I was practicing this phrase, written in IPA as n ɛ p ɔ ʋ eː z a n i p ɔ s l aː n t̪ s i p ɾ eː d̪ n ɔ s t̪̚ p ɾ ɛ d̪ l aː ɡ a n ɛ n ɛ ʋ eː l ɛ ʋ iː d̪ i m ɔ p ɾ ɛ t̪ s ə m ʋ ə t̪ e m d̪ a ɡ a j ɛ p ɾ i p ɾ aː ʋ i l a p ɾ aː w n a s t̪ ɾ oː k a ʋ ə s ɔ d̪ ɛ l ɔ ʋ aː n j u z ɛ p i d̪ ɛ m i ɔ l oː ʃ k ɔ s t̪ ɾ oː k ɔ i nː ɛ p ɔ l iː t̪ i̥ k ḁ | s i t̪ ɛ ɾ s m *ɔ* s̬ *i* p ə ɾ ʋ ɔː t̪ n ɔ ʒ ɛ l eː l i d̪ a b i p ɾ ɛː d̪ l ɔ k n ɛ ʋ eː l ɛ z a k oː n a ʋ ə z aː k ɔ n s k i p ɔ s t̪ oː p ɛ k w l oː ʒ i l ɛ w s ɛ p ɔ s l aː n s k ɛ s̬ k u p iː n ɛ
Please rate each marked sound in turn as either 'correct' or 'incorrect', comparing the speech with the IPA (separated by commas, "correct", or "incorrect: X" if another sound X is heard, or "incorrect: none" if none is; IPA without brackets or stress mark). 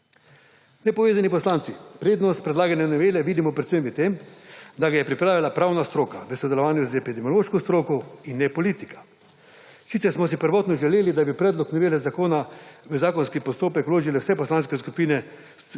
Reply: correct, correct